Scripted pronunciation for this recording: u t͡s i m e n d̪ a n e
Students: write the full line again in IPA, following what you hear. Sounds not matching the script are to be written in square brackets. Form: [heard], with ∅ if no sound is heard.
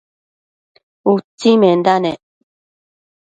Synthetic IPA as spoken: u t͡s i m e n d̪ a n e

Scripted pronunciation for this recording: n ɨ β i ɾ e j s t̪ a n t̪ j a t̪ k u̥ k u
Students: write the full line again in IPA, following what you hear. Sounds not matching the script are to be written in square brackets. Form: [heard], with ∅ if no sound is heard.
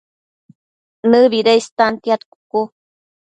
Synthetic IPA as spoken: n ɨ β i ɾ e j s t̪ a n t̪ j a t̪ k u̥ k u

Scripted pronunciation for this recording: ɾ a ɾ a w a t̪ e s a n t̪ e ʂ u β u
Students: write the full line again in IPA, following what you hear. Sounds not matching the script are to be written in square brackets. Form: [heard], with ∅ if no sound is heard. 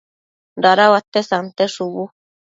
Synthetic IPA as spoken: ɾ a ɾ a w a t̪ e s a n t̪ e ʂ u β u

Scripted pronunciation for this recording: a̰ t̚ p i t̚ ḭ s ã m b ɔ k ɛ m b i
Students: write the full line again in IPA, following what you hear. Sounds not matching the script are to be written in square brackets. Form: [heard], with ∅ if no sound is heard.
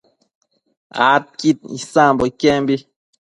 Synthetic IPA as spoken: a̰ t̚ [k] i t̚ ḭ s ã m b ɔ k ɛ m b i

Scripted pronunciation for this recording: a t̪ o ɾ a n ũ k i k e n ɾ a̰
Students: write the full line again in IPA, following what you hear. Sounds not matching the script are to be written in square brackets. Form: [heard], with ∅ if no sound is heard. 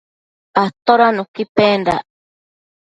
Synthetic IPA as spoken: a t̪ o ɾ a n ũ k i [p] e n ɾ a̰

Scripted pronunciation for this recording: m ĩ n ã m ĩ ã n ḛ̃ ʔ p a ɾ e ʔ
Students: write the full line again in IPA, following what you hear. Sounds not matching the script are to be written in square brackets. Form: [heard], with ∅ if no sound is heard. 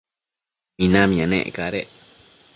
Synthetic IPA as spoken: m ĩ n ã m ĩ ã n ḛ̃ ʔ [k] a ɾ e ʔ

